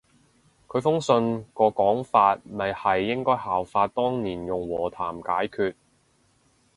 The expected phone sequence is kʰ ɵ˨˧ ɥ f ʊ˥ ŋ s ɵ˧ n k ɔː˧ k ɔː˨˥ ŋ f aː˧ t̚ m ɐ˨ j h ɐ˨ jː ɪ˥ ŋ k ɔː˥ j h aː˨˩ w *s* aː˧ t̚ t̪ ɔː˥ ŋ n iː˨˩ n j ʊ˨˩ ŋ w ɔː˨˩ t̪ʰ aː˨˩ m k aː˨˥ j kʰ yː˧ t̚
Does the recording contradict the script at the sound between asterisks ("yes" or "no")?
yes